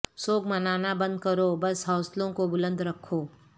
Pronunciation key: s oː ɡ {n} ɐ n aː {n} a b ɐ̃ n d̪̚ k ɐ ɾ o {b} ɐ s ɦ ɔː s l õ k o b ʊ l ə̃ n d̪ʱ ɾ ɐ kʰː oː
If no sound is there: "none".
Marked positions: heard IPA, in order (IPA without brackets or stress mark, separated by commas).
m, n, b